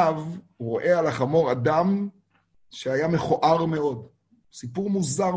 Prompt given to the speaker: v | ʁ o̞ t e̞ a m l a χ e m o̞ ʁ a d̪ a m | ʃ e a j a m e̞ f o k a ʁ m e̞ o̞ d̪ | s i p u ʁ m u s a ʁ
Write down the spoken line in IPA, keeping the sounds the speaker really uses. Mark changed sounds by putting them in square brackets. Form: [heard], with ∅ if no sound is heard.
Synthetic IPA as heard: v | ʁ o̞ [ʔ] e̞ a [∅] l a χ [a] m o̞ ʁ a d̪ a m | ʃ e a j a m e̞ [χ] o [ʔ] a ʁ m e̞ o̞ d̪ | s i p u ʁ m u [z] a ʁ